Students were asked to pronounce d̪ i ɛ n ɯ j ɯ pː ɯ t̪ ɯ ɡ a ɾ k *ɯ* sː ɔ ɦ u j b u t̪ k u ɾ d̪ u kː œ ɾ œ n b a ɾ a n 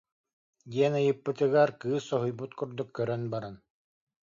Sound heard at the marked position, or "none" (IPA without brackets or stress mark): ɯː